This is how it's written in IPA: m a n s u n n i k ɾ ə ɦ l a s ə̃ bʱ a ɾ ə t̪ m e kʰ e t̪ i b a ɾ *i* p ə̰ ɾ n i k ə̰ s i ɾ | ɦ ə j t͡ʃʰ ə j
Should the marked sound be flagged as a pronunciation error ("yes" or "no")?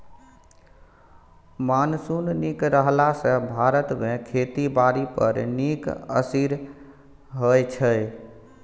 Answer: no